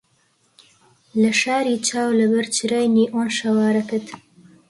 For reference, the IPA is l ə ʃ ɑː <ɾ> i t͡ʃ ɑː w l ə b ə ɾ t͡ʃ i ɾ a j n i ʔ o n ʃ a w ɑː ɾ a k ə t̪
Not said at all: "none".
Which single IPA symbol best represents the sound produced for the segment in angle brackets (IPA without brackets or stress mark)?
ɾ